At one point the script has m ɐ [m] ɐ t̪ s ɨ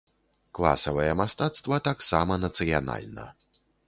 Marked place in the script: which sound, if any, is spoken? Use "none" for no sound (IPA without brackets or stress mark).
n